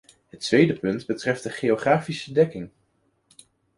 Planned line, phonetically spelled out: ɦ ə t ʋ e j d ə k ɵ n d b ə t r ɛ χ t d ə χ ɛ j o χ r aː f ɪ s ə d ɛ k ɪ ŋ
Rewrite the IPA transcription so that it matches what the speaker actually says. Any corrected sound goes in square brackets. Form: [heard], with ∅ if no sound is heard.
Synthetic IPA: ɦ ə t ʋ e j d ə [p] ɵ n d b ə t r ɛ [f] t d ə χ [e] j o χ r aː f [i] s ə d ɛ k ɪ ŋ

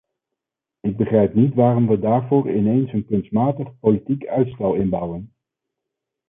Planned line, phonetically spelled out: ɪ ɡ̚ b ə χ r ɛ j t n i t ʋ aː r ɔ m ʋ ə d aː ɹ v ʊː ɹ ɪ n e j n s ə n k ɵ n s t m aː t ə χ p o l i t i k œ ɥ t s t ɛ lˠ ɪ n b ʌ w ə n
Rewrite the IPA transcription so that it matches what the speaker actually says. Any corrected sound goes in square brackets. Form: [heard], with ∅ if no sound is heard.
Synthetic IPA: ɪ ɡ̚ b ə χ r ɛ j [p] n i t ʋ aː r ɔ m ʋ ə d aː ɹ v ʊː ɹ ɪ n e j n s ə n k ɵ n s t m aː t ə χ p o l i t i k œ ɥ t s t ɛ lˠ ɪ n b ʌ w ə n

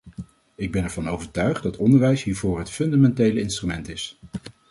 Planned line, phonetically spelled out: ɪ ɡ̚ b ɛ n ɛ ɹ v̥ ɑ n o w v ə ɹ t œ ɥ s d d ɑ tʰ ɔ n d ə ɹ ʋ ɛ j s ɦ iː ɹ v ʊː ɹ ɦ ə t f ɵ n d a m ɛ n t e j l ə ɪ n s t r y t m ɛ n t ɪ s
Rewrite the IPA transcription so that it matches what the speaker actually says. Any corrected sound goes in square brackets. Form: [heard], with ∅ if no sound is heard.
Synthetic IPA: ɪ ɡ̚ b ɛ n ɛ ɹ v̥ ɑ n o w v ə ɹ t œ ɥ [χ] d d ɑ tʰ ɔ n d ə ɹ ʋ ɛ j s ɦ iː ɹ v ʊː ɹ ɦ ə t f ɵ n d a m ɛ n t e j l ə ɪ n s t r y [∅] m ɛ n t ɪ s

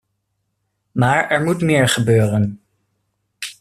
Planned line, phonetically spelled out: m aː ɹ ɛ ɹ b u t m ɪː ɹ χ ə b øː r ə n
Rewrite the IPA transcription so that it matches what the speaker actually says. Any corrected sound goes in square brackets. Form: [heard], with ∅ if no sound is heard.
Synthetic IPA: m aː ɹ ɛ ɹ [m] u t m ɪː ɹ χ ə b øː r ə n

